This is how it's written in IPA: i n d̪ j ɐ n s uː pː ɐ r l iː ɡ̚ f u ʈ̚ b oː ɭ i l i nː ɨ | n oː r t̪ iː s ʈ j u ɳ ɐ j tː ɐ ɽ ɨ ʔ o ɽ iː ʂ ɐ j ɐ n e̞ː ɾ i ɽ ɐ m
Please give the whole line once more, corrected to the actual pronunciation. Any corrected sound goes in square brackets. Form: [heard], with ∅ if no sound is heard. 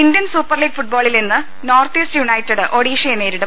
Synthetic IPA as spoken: i n d̪ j ɐ n s uː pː ɐ r l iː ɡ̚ f u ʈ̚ b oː ɭ i l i nː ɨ | n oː r t̪ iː s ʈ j u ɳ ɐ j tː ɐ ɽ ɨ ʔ o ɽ iː ʂ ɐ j ɐ n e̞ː ɾ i ɽ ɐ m